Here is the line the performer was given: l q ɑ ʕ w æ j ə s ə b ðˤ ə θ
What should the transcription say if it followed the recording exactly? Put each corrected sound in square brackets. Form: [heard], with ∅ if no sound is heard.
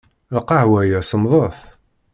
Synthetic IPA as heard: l q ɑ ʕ w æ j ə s ə [m] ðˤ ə θ